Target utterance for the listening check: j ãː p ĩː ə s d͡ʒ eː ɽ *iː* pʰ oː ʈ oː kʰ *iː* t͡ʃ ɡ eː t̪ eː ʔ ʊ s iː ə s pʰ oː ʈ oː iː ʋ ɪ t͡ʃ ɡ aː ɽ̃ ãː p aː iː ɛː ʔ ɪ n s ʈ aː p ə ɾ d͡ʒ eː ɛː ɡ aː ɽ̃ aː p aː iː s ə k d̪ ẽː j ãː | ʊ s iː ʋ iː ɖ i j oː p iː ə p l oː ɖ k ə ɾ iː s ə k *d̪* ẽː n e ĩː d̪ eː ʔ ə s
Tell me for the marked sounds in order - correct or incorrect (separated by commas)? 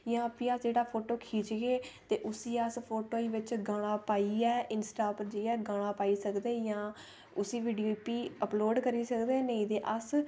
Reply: incorrect, correct, correct